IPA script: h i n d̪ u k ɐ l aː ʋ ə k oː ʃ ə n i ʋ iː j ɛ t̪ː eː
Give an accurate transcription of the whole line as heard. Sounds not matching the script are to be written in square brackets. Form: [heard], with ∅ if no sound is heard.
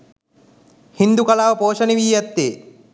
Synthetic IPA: h i n d̪ u k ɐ l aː ʋ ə [p] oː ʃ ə n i ʋ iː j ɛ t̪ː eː